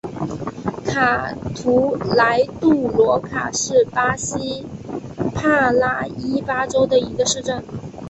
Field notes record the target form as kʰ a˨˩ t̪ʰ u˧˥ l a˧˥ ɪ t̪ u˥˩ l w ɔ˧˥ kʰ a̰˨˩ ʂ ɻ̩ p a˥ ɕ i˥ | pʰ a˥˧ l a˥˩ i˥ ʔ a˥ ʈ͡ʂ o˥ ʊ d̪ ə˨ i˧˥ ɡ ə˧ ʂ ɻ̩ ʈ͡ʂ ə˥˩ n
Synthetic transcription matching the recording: kʰ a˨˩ t̪ʰ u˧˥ l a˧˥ ɪ t̪ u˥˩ l w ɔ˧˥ kʰ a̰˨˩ ʂ ɻ̩ p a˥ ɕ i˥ | pʰ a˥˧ l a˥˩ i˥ p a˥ ʈ͡ʂ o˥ ʊ d̪ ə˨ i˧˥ ɡ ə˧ ʂ ɻ̩ ʈ͡ʂ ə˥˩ n